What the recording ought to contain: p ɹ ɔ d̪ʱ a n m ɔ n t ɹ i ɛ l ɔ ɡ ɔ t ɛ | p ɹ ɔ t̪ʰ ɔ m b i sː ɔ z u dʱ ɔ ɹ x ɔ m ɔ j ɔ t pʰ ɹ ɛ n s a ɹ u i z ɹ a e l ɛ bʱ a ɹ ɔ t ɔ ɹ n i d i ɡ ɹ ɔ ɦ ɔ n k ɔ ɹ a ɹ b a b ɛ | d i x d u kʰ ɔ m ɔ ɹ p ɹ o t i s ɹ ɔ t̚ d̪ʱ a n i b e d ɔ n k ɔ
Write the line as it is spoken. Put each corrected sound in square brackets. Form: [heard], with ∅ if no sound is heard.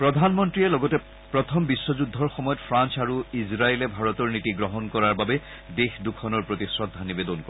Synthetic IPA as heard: p ɹ ɔ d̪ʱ a n m ɔ n t ɹ i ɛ l ɔ ɡ ɔ t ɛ | p ɹ ɔ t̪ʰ ɔ m b i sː ɔ z u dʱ ɔ ɹ x ɔ m ɔ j ɔ t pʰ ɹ [a] n s a ɹ u i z ɹ a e l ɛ bʱ a ɹ ɔ t ɔ ɹ n i [t] i ɡ ɹ ɔ ɦ ɔ n k ɔ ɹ a ɹ b a b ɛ | d [e] x d u kʰ ɔ [n] ɔ ɹ p ɹ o t i s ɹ ɔ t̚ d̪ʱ a n i b e d ɔ n k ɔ